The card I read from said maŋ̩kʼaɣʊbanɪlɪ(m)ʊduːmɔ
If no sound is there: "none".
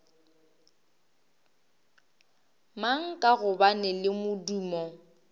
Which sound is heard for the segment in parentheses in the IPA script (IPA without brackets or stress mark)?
m